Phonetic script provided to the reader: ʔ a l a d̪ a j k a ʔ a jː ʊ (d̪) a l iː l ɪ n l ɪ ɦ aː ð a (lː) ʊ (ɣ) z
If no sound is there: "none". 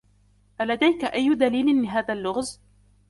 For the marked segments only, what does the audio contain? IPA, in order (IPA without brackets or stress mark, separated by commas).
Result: d̪, lː, ɣ